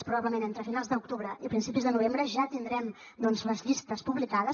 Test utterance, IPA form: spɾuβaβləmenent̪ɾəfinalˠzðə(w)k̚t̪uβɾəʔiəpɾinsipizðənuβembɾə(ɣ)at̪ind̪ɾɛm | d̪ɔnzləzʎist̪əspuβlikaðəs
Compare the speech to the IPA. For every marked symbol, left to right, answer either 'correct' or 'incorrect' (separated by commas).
incorrect, incorrect